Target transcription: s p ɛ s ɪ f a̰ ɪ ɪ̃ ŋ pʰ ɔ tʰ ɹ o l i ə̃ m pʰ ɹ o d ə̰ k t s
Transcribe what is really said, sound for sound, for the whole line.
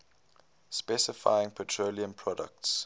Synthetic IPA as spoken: s p ɛ s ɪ f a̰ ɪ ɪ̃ ŋ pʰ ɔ tʰ ɹ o l i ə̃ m pʰ ɹ ɔ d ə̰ k t s

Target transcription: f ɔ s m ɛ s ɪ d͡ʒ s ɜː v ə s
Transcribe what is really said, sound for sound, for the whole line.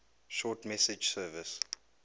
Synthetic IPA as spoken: ʃ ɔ t m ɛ s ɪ d͡ʒ s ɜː v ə s

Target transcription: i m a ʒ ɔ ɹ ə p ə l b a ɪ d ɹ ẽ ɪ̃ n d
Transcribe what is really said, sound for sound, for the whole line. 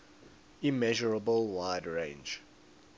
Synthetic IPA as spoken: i m ɛ ʒ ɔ ɹ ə b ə l w a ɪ d ɹ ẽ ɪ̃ n d͡ʒ

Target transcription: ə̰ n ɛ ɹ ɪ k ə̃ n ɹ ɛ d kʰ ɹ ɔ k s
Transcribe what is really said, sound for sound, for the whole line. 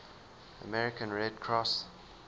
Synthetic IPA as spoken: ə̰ m ɛ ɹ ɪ k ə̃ n ɹ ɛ d kʰ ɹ ɔ s

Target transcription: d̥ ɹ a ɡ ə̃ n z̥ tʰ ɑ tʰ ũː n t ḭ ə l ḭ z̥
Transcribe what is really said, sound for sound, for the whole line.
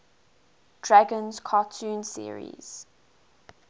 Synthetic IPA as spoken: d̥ ɹ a ɡ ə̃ n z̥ kʰ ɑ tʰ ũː n s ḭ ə ɹ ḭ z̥

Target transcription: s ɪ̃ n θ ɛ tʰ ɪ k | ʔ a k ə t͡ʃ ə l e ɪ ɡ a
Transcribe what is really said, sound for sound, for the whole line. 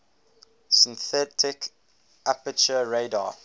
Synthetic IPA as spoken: s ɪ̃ n θ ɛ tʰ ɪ k | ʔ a p ə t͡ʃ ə ɹ e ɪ d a

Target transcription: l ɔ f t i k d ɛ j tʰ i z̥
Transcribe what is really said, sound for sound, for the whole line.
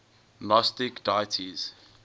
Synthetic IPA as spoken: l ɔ s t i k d a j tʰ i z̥

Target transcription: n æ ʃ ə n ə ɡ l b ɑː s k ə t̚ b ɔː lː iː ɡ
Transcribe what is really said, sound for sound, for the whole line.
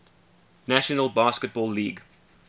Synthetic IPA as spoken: n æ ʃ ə n ə l b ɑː s k ə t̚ b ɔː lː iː ɡ

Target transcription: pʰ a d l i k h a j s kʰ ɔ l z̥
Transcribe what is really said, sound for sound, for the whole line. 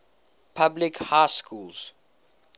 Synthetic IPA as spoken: pʰ a b l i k h a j s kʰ u l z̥

